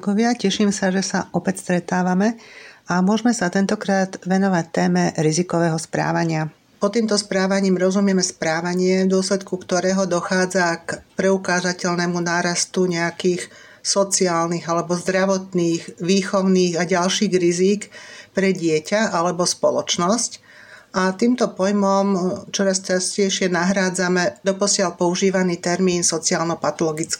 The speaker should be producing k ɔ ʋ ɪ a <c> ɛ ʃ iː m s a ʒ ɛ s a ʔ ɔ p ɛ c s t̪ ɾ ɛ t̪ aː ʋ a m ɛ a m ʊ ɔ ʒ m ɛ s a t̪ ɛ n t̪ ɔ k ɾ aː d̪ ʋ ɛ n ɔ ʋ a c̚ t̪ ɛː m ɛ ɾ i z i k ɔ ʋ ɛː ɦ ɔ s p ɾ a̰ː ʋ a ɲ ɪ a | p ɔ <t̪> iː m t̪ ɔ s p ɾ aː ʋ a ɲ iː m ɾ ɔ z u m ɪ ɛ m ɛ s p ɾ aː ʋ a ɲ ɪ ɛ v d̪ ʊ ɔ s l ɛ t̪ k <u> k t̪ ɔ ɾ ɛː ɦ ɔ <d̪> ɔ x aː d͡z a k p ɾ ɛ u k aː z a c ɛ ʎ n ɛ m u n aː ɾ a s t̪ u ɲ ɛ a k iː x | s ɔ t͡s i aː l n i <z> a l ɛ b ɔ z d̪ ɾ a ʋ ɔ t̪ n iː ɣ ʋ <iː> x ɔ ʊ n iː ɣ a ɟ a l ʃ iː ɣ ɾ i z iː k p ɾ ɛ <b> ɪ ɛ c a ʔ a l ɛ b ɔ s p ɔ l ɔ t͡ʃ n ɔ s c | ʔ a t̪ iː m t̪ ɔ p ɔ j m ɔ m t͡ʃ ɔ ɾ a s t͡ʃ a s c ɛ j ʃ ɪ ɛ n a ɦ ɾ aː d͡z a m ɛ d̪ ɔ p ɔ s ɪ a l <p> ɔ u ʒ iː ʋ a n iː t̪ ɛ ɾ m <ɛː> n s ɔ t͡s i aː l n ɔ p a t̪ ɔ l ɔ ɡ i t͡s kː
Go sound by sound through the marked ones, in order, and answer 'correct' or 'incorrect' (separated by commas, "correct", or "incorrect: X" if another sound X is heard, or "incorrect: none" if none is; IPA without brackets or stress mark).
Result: correct, correct, correct, correct, incorrect: ɣ, correct, incorrect: ɟ, correct, incorrect: iː